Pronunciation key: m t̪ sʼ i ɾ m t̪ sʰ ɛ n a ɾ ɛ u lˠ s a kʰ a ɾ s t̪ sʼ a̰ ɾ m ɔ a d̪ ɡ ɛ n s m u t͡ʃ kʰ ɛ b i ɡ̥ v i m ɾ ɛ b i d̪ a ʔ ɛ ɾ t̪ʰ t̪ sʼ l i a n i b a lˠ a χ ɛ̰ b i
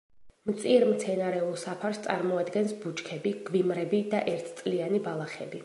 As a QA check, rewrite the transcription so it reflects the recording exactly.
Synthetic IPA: m t̪ sʼ i ɾ m t̪ sʰ ɛ n a ɾ ɛ u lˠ s a pʰ a ɾ s t̪ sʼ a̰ ɾ m ɔ a d̪ ɡ ɛ n s b u t͡ʃ kʰ ɛ b i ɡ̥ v i m ɾ ɛ b i d̪ a ʔ ɛ ɾ t̪ʰ t̪ sʼ l i a n i b a lˠ a χ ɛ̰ b i